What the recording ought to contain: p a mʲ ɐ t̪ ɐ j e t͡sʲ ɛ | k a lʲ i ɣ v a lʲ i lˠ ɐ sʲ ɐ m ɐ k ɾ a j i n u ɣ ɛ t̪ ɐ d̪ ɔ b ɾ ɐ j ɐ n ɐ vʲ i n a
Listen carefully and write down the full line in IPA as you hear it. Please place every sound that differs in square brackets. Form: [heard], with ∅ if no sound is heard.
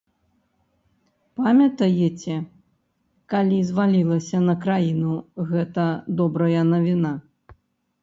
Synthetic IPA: p a mʲ ɐ t̪ ɐ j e t͡sʲ ɛ | k a lʲ i [z] v a lʲ i lˠ ɐ sʲ ɐ [n] ɐ k ɾ a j i n u ɣ ɛ t̪ ɐ d̪ ɔ b ɾ ɐ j ɐ n ɐ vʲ i n a